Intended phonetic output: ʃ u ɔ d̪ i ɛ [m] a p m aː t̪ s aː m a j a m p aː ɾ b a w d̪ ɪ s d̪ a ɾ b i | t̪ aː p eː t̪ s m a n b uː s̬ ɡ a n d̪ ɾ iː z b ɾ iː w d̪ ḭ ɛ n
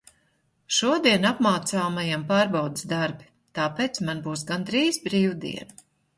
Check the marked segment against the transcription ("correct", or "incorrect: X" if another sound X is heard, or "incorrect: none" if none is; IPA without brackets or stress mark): incorrect: n